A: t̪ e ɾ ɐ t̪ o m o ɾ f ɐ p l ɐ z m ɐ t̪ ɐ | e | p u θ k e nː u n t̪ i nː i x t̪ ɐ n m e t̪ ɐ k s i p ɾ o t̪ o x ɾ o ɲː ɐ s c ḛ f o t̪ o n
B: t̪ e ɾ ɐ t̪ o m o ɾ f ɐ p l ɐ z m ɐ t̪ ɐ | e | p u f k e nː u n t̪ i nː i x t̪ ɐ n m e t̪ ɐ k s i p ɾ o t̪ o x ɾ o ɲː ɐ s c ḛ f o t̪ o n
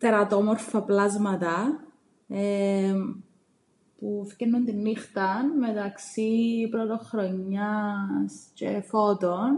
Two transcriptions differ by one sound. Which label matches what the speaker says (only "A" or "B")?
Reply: B